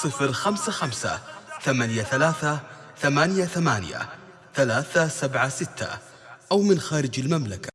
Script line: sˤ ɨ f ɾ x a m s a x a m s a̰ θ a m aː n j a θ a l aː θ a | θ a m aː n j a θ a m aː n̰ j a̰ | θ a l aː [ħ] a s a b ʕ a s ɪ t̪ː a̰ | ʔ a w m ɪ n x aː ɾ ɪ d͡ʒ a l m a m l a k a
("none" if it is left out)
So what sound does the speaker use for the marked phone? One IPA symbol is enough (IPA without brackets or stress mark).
θ